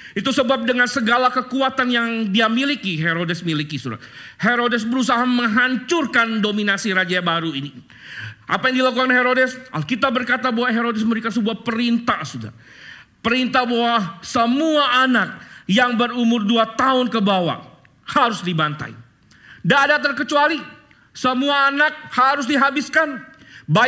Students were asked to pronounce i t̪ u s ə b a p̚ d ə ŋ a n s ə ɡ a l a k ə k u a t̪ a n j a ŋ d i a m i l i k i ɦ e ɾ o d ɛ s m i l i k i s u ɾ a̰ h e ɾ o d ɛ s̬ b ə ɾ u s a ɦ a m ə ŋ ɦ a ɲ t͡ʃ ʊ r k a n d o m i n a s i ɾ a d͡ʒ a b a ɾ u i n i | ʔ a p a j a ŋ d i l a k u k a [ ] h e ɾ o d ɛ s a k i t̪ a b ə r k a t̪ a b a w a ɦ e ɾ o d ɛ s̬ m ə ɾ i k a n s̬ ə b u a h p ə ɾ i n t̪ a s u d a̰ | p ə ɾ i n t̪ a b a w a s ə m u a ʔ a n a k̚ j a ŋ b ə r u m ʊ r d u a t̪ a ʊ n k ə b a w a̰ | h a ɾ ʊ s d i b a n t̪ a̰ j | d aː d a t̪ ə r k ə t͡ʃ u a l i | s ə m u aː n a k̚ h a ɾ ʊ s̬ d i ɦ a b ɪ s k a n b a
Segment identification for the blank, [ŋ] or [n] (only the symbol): n